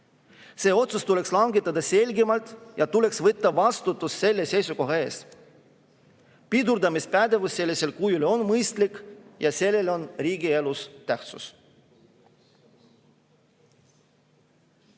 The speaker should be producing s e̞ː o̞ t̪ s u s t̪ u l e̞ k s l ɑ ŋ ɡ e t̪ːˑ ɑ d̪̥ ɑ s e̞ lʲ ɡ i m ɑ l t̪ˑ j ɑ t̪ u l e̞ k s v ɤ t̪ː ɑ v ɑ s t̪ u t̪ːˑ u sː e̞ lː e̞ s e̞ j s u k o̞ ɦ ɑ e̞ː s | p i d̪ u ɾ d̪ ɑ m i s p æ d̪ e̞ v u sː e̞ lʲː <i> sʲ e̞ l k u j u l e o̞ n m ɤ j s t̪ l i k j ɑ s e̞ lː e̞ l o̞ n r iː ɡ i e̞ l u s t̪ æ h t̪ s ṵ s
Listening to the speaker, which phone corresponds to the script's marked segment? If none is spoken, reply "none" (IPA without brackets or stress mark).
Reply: i